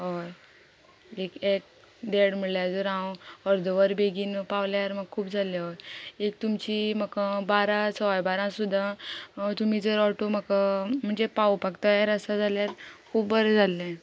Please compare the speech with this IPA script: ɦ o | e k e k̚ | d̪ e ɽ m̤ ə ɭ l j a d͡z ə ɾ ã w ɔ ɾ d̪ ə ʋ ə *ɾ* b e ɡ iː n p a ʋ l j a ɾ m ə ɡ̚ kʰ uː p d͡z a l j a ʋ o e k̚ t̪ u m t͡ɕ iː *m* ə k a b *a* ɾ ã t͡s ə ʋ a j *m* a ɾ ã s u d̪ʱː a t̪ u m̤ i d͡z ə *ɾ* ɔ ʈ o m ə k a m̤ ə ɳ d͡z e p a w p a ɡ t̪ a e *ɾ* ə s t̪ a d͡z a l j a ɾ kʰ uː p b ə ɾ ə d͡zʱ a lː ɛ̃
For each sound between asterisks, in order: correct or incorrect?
correct, correct, correct, incorrect: b, correct, correct

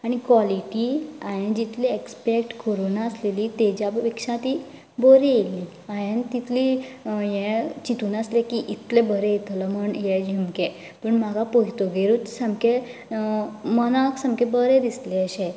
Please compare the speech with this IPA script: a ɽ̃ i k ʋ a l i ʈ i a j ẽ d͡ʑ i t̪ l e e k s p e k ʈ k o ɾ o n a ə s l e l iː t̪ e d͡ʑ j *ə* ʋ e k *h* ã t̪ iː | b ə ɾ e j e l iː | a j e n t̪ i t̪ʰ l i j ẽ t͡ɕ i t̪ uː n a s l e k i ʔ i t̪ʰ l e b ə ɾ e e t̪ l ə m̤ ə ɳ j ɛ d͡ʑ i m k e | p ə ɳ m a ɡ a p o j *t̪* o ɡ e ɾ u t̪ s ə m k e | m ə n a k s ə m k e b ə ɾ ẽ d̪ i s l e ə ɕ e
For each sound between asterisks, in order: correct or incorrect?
incorrect: a, incorrect: ʂ, correct

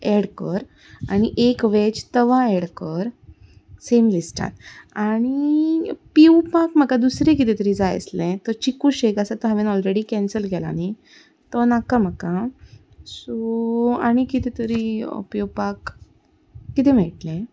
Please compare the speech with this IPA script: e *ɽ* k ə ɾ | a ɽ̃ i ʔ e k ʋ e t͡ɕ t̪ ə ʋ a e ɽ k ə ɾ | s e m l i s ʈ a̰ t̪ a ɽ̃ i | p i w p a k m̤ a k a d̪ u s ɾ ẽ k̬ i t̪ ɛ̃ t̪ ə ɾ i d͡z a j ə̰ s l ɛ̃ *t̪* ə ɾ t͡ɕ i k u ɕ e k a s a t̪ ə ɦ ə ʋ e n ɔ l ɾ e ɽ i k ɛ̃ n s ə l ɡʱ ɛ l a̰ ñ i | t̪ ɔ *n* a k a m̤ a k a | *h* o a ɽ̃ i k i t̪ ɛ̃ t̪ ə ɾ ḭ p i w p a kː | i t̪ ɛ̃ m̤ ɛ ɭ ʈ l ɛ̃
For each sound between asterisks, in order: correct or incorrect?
correct, correct, correct, incorrect: s

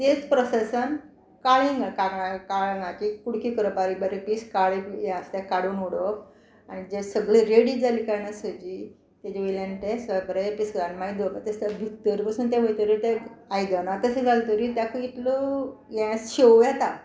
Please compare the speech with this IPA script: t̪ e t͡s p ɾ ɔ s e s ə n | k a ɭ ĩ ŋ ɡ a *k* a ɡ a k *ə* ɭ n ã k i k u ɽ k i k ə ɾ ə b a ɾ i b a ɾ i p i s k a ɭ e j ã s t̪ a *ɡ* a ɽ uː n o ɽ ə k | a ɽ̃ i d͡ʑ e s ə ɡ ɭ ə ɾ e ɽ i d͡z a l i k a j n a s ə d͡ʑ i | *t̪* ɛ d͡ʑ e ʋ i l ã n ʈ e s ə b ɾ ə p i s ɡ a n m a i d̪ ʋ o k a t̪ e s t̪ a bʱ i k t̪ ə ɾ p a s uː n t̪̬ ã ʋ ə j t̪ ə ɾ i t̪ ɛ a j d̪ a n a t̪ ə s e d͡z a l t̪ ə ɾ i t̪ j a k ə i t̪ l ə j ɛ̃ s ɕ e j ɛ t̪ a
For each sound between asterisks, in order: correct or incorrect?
correct, incorrect: a, incorrect: k, correct

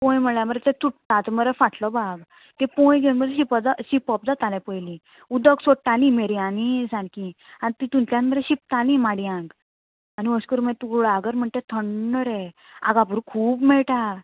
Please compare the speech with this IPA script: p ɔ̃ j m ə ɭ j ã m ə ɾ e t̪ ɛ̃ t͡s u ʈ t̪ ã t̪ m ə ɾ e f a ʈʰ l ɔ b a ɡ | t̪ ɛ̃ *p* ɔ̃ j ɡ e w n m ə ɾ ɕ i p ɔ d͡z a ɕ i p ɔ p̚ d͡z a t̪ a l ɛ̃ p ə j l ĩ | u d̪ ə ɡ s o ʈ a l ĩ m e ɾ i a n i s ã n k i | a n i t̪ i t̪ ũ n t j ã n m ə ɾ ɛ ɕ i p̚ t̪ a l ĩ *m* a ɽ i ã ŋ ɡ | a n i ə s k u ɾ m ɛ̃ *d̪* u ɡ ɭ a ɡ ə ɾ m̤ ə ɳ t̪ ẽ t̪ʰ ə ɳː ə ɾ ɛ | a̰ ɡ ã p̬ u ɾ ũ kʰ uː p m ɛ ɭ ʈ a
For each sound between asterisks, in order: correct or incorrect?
correct, correct, incorrect: t̪

